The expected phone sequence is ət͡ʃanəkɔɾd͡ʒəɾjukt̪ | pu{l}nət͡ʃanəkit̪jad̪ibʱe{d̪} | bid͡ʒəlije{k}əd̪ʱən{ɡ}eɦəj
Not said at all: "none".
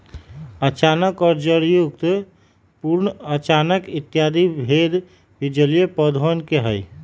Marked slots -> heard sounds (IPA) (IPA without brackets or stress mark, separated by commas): ɾ, d̪, p, k